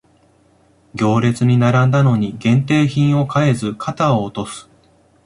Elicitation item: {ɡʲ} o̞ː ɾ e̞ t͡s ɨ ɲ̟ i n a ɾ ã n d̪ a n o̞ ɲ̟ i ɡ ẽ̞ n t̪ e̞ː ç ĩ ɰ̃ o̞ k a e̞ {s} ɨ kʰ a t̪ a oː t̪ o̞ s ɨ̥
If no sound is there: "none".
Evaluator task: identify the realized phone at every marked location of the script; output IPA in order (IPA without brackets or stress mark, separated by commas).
ɡʲ, z